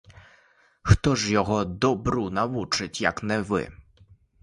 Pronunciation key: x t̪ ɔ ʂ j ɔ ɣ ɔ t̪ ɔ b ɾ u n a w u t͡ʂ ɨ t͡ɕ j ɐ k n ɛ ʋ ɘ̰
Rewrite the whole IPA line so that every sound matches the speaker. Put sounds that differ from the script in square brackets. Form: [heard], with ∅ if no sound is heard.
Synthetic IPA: x t̪ ɔ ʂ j ɔ ɣ ɔ [d̪] ɔ b ɾ u n a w u t͡ʂ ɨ t͡ɕ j [a] k n ɛ [v] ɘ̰